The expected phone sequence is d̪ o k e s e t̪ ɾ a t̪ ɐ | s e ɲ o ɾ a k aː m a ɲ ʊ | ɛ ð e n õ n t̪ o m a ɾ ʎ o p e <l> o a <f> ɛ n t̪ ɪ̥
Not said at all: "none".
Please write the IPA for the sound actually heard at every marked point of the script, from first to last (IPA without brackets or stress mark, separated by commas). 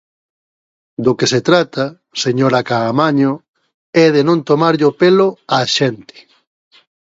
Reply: l, ʃ